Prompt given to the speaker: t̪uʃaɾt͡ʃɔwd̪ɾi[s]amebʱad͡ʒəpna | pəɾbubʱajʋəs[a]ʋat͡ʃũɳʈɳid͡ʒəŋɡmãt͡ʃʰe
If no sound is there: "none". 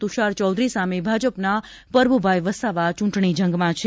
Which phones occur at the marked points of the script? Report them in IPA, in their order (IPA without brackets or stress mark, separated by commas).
s, a